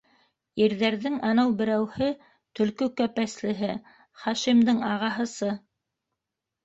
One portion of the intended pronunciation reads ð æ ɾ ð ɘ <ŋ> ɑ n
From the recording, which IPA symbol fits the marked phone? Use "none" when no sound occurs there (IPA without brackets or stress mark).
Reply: ŋ